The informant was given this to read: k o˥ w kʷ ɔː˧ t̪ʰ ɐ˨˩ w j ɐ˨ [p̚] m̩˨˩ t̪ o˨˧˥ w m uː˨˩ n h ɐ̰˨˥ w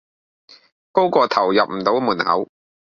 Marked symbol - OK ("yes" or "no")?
yes